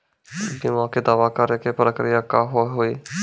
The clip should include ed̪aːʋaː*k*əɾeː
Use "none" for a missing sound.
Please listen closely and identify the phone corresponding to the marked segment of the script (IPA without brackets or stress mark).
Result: k